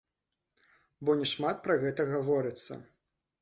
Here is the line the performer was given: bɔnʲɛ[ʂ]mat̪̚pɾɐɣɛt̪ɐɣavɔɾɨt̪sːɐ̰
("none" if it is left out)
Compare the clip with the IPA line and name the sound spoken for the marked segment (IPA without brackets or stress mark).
ʂ